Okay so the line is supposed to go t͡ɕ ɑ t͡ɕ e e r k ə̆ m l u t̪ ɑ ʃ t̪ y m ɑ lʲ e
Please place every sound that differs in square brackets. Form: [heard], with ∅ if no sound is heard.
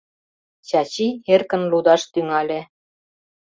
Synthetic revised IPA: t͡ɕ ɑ t͡ɕ [i] e r k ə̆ [n] l u [d̪] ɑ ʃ t̪ y [ŋ] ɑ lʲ e